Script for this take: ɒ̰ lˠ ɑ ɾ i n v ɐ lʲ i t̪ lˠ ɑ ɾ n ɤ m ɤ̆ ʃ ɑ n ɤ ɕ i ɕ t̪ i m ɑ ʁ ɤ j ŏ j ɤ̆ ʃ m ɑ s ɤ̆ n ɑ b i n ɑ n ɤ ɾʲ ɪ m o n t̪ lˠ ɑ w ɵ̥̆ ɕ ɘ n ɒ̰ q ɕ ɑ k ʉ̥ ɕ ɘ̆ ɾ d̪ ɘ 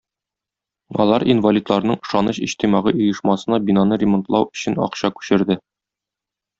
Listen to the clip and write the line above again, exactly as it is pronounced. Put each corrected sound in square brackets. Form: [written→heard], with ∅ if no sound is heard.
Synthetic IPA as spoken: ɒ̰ lˠ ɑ ɾ i n v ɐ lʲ i t̪ lˠ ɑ ɾ n ɤ [m→ɴ] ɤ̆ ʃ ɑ n ɤ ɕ i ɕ t̪ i m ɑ ʁ ɤ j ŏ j ɤ̆ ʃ m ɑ s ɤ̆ n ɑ b i n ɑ n ɤ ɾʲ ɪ m o n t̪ lˠ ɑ w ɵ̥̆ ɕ ɘ n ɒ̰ q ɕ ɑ k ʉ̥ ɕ ɘ̆ ɾ d̪ ɘ

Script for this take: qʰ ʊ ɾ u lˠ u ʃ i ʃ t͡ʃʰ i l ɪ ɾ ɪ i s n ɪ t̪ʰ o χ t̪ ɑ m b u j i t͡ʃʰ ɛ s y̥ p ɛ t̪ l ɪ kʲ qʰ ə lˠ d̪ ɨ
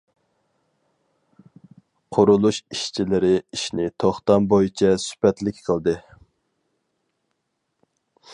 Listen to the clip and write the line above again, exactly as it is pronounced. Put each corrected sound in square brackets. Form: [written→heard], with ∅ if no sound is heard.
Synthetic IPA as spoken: qʰ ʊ ɾ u lˠ u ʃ i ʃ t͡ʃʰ i l ɪ ɾ ɪ i [s→ʃ] n ɪ t̪ʰ o χ t̪ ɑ m b [u→o] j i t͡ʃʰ ɛ s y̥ p ɛ t̪ l ɪ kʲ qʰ ə lˠ d̪ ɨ

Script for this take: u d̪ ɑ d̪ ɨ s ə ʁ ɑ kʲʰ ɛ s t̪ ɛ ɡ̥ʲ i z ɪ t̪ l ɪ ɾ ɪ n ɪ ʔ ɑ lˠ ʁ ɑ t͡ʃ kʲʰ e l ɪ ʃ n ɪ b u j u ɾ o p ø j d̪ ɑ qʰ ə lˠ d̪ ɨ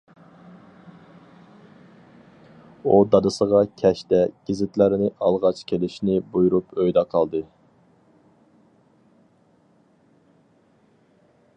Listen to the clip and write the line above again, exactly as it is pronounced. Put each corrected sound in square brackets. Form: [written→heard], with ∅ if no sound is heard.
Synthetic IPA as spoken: u d̪ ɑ d̪ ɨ s ə ʁ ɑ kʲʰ ɛ [s→ʃ] t̪ ɛ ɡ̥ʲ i z ɪ t̪ l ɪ ɾ ɪ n ɪ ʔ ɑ lˠ ʁ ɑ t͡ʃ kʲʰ e l ɪ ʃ n ɪ b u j u ɾ [o→u] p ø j d̪ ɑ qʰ [ə→ɑ] lˠ d̪ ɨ

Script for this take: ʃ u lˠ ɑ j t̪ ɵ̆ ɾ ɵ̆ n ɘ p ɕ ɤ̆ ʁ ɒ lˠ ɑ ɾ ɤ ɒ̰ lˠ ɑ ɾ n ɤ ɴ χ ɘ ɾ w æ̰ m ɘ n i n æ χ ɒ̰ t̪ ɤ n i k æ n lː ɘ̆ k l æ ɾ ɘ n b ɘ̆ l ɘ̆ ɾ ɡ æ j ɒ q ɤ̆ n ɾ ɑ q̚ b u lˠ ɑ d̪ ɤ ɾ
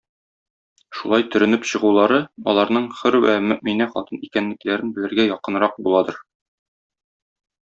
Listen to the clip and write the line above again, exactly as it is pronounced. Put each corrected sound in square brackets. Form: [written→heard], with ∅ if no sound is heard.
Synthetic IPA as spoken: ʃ u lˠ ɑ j t̪ ɵ̆ ɾ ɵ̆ n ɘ p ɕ ɤ̆ ʁ [ɒ→u] lˠ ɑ ɾ ɤ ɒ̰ lˠ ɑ ɾ n ɤ ɴ χ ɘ ɾ w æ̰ m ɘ [n→m] i n æ χ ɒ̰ t̪ ɤ n i k æ n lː ɘ̆ k l æ ɾ ɘ n b ɘ̆ l ɘ̆ ɾ ɡ æ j ɒ q ɤ̆ n ɾ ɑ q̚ b u lˠ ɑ d̪ ɤ ɾ

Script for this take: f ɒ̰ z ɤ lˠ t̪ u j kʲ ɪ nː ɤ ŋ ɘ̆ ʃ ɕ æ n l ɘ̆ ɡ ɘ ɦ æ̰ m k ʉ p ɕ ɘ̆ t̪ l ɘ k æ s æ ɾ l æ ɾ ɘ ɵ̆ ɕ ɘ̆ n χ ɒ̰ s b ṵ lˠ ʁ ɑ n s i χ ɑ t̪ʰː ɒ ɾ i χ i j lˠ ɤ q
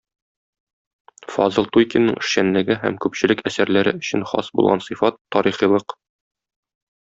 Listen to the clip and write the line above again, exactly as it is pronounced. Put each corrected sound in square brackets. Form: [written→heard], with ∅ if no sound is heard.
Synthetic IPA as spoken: f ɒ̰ z ɤ lˠ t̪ u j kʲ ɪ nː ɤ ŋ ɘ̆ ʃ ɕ æ n l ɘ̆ ɡ ɘ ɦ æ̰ m k ʉ p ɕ ɘ̆ [t̪→∅] l ɘ k æ s æ ɾ l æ ɾ ɘ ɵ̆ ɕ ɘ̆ n χ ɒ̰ s b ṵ lˠ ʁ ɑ n s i [χ→f] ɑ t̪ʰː ɒ ɾ i χ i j lˠ ɤ q

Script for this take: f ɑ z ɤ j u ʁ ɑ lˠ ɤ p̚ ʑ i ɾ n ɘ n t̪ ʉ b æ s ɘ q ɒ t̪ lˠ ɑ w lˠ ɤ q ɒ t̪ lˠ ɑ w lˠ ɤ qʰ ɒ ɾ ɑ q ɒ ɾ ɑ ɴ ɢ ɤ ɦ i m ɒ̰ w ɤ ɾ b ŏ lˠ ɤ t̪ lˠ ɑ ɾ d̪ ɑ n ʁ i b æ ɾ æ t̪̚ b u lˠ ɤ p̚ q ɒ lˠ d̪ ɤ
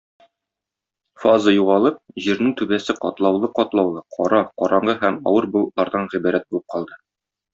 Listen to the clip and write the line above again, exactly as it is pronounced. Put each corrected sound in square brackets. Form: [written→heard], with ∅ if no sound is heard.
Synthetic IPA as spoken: f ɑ z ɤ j u ʁ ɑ lˠ ɤ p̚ ʑ i ɾ n ɘ [n→ŋ] t̪ ʉ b æ s ɘ q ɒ t̪ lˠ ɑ w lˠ ɤ q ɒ t̪ lˠ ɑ w lˠ ɤ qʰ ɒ ɾ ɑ q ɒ ɾ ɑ ɴ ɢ ɤ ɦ [i→æ] m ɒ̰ w ɤ ɾ b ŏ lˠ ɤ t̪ lˠ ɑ ɾ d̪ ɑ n ʁ i b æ ɾ æ t̪̚ b u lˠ ɤ p̚ q ɒ lˠ d̪ ɤ

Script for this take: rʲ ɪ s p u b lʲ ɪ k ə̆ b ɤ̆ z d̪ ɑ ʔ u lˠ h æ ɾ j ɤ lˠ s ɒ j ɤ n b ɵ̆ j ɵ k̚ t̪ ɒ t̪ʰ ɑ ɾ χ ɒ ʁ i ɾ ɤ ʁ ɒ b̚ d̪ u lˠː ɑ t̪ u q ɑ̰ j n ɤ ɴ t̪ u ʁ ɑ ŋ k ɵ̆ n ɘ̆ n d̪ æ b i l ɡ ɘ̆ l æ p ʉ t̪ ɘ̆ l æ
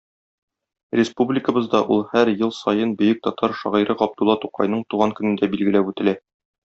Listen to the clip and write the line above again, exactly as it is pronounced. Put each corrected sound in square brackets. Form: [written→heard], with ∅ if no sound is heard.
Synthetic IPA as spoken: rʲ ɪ s p u b lʲ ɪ k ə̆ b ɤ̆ z d̪ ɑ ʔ u lˠ h æ ɾ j ɤ lˠ s ɒ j ɤ n b ɵ̆ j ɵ k̚ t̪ ɒ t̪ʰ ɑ ɾ [χ→ʃ] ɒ ʁ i ɾ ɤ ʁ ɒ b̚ d̪ u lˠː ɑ t̪ u q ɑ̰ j n ɤ ɴ t̪ u ʁ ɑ ŋ k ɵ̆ n ɘ̆ n d̪ æ b i l ɡ ɘ̆ l æ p ʉ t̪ ɘ̆ l æ

